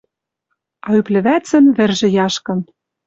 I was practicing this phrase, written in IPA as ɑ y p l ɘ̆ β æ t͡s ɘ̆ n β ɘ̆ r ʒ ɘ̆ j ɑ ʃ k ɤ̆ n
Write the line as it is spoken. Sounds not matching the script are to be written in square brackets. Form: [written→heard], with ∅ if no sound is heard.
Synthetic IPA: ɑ y p l ɘ̆ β æ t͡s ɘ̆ n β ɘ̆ r ʒ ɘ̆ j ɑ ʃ k ɤ̆ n